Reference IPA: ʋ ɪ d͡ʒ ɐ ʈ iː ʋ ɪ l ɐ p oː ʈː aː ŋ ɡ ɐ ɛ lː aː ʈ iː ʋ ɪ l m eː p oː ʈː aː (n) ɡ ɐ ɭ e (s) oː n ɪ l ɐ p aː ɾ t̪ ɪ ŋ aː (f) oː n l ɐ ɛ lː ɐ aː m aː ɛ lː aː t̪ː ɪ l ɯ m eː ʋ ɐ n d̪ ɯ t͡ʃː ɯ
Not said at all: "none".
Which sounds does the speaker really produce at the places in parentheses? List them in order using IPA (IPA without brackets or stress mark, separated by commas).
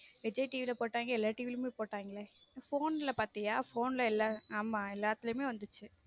ŋ, f, f